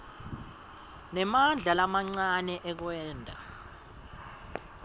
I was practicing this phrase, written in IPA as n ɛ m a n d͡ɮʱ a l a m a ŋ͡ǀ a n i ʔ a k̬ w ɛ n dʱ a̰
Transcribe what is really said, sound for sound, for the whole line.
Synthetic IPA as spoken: n ɛ m a n d͡ɮʱ a l a m a ŋ͡ǀ a n ɛ ʔ ɛ k̬ w ɛː n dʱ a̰